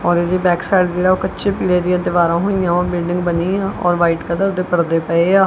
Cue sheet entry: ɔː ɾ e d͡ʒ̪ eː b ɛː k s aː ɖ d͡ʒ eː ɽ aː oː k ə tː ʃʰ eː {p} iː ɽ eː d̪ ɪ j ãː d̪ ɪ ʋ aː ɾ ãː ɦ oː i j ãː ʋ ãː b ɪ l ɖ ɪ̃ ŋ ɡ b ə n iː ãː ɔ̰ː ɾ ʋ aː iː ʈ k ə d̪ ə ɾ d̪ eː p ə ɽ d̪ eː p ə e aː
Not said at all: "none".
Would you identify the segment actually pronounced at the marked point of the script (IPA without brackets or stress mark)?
p